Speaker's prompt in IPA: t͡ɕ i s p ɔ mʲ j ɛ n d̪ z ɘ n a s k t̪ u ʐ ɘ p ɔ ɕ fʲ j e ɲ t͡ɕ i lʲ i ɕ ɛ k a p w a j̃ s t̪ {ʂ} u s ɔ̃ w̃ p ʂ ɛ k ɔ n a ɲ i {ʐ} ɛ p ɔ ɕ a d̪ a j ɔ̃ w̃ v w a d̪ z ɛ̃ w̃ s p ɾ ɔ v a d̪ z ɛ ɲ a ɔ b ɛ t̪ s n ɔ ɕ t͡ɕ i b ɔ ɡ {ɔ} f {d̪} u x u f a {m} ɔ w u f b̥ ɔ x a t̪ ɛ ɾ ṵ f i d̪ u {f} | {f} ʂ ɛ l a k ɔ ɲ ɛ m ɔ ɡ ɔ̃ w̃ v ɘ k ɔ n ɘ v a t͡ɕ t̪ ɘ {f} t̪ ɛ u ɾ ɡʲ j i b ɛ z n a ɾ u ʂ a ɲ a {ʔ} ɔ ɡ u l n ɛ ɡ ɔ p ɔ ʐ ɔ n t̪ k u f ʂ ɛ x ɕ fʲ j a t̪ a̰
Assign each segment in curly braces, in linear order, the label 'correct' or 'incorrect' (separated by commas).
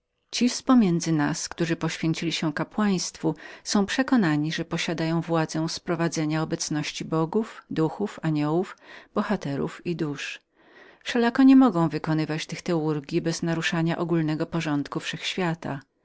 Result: incorrect, correct, incorrect, correct, incorrect, incorrect, correct, incorrect, correct